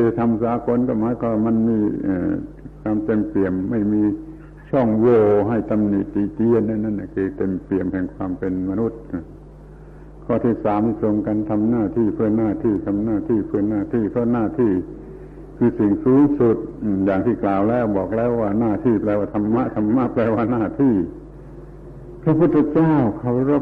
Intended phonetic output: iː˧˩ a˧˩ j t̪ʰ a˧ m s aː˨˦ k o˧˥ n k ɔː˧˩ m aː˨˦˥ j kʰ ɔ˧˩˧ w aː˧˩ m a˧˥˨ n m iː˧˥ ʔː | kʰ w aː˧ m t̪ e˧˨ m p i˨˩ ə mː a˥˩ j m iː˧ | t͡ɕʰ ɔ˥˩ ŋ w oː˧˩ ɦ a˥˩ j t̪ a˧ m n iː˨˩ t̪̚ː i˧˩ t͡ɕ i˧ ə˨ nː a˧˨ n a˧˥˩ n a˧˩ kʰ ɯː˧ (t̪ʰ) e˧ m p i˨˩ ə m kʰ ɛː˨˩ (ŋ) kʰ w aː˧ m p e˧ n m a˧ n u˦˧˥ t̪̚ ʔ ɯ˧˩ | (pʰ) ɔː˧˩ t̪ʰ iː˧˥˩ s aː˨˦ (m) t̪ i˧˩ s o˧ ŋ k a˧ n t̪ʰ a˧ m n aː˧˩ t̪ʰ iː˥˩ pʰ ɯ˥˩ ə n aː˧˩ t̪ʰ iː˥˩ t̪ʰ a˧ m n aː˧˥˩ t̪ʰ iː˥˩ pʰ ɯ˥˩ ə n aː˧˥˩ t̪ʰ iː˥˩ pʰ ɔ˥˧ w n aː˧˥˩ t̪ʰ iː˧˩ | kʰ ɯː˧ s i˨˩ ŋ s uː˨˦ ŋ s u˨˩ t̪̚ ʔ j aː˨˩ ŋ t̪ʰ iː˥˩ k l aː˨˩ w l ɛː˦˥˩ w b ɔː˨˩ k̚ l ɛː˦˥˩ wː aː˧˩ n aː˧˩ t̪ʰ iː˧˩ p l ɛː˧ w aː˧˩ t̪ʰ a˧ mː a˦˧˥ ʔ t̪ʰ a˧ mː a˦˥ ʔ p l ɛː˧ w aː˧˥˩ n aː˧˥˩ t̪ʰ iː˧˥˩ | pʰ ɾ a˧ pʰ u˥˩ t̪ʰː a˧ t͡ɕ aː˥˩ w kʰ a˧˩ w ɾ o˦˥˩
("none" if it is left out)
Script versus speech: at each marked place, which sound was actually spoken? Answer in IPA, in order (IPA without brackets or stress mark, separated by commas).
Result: t̪, ŋ, kʰ, m